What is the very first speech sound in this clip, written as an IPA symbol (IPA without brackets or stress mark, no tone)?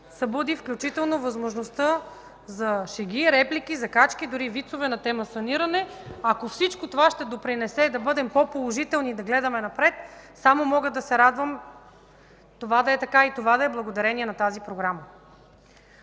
s